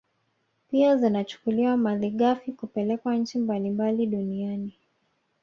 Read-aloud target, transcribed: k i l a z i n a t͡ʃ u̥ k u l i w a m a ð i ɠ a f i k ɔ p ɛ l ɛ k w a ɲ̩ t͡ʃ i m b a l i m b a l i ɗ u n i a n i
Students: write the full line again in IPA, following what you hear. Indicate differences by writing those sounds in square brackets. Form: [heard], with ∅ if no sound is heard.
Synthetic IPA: [p] i [∅] a z i n a t͡ʃ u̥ k u l i w a m a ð i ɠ a f i k [u] p ɛ l ɛ k w a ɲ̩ t͡ʃ i m b a l i m b a l i ɗ u n i a n i